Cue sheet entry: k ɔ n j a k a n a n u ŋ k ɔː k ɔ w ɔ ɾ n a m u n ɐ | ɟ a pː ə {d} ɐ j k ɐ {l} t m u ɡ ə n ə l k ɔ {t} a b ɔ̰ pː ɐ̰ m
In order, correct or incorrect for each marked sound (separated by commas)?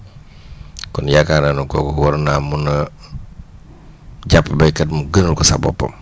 incorrect, incorrect, incorrect